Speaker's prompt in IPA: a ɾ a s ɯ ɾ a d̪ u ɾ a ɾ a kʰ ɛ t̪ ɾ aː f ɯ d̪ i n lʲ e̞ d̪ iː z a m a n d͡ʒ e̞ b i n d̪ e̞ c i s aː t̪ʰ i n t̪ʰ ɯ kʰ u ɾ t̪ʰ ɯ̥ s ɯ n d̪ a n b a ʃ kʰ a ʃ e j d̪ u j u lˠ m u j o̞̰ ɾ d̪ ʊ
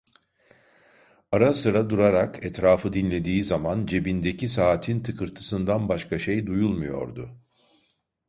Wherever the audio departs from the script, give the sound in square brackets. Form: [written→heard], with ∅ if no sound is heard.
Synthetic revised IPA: a ɾ a s ɯ ɾ a d̪ u ɾ a ɾ a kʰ ɛ t̪ ɾ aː f ɯ d̪ i n lʲ e̞ d̪ iː z a m a n d͡ʒ e̞ b i n d̪ e̞ c i s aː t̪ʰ i n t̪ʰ ɯ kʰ [u→ɯ] ɾ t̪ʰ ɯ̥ s ɯ n d̪ a n b a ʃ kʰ a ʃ e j d̪ u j u lˠ m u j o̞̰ ɾ d̪ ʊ